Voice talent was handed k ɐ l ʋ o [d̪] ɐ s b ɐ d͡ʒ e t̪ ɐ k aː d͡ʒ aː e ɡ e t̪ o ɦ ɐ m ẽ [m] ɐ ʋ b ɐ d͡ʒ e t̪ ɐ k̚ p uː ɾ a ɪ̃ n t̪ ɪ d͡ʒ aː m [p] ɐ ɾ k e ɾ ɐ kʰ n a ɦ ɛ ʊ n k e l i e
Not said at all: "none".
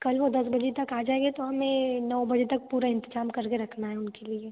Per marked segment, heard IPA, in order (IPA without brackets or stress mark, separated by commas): d̪, n, k